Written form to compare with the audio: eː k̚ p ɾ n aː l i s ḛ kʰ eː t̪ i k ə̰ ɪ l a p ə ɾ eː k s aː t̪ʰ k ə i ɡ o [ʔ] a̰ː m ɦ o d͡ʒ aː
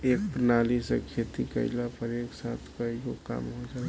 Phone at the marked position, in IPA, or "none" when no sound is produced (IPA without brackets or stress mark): k